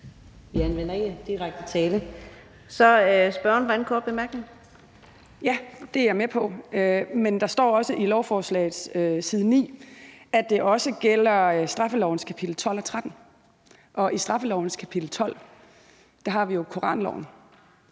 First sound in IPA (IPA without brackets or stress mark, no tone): ʋ